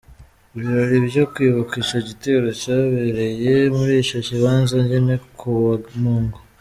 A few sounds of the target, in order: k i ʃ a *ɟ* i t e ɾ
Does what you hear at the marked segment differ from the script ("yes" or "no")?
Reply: no